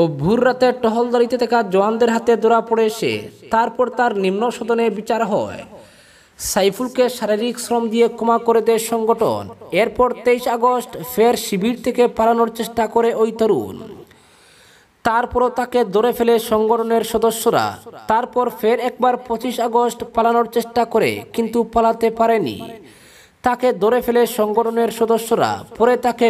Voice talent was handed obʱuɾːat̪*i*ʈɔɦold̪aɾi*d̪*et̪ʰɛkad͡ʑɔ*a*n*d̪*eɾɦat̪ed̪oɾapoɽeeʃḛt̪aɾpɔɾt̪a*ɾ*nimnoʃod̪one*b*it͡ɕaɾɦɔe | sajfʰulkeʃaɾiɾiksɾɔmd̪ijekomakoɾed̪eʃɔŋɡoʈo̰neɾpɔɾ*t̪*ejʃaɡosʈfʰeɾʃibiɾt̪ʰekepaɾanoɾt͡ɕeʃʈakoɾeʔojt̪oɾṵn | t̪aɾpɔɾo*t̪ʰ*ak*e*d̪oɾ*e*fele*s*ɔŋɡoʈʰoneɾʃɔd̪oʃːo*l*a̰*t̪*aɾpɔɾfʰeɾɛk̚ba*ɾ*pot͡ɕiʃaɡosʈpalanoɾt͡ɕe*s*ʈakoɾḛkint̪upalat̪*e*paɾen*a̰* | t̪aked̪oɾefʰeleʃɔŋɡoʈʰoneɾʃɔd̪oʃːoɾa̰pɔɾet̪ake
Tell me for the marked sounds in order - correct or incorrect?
incorrect: e, incorrect: t̪, correct, correct, correct, correct, correct, incorrect: t̪, correct, correct, incorrect: ʃ, incorrect: ɾ, correct, correct, incorrect: ʃ, correct, incorrect: ḭ

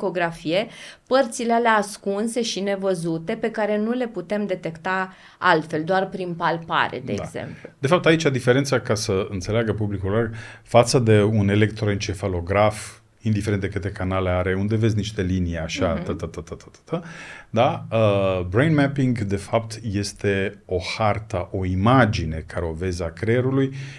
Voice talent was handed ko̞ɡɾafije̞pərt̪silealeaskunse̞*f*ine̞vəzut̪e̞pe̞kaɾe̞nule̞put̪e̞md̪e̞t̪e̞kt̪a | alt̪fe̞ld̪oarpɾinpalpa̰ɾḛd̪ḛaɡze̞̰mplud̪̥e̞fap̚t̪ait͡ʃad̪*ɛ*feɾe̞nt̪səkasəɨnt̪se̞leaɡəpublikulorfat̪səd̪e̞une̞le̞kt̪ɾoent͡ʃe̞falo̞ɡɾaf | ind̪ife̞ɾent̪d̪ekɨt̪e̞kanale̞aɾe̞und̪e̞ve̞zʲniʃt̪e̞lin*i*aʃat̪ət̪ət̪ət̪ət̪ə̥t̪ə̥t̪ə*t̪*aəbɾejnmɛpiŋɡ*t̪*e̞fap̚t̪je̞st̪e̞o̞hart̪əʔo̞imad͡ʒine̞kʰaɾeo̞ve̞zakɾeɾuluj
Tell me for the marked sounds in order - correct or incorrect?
incorrect: ʃ, incorrect: i, correct, incorrect: d̪, incorrect: d̪

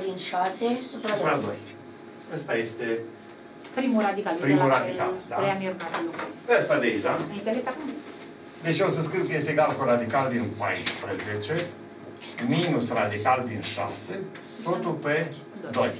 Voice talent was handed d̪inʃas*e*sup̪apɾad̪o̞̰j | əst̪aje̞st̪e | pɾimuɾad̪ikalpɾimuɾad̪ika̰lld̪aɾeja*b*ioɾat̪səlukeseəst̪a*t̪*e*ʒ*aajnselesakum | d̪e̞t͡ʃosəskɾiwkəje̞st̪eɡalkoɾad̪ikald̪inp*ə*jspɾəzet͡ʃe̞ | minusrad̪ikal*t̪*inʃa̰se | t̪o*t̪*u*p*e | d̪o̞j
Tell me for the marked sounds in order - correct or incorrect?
correct, incorrect: m, incorrect: d̪, correct, incorrect: a, incorrect: d̪, correct, correct

